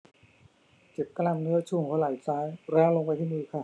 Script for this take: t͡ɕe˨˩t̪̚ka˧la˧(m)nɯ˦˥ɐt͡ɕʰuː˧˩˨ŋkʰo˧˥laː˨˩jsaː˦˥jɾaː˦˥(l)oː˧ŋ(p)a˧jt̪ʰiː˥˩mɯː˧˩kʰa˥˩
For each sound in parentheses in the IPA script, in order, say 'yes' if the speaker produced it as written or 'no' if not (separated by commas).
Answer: yes, yes, yes